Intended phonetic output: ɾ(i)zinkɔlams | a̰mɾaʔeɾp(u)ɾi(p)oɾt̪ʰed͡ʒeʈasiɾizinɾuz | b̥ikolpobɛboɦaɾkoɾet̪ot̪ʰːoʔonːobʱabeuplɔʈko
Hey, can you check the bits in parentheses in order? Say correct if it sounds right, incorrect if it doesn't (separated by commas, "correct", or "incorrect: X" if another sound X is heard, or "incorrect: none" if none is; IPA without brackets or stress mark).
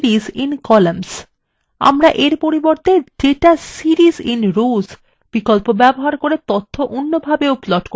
correct, incorrect: o, incorrect: b